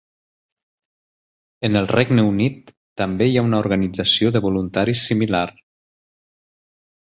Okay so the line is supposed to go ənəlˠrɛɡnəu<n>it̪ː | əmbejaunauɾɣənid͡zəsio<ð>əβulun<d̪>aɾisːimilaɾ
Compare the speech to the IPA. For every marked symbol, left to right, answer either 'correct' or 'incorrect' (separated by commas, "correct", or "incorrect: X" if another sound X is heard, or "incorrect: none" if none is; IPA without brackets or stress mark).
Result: correct, correct, incorrect: t̪